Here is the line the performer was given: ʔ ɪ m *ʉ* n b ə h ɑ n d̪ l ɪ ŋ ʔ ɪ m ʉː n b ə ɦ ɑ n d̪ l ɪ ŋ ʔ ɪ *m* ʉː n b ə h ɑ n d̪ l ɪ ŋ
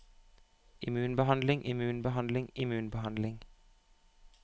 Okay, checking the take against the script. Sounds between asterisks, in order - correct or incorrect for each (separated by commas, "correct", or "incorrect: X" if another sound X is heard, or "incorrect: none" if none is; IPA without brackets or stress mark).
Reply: incorrect: ʉː, correct